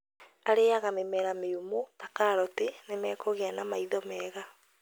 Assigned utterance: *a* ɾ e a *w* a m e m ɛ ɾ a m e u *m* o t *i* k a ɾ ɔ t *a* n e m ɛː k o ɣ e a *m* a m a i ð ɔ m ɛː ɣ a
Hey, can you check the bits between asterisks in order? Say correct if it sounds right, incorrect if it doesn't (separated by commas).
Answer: correct, incorrect, correct, incorrect, incorrect, incorrect